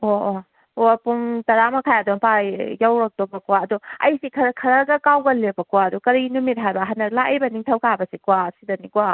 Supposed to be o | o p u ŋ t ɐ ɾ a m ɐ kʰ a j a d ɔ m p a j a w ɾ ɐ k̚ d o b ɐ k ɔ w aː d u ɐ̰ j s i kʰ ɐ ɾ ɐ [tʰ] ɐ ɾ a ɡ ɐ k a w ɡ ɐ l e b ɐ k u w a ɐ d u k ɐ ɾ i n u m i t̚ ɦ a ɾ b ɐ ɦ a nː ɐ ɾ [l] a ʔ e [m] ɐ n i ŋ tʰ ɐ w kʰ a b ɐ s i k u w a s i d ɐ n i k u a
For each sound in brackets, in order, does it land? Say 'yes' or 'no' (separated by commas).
no, yes, no